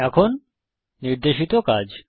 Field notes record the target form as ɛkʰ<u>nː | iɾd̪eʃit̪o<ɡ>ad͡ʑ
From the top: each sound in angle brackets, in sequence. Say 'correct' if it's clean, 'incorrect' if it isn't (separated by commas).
incorrect, incorrect